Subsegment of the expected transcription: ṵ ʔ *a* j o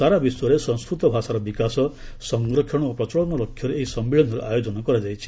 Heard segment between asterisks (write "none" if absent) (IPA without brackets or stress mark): a